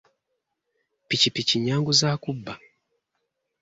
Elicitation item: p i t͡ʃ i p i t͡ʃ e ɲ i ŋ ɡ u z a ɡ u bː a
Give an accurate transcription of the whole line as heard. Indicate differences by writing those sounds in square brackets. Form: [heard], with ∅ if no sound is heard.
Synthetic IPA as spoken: p i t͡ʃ i p i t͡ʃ [i] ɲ [a] ŋ ɡ u z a [k] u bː a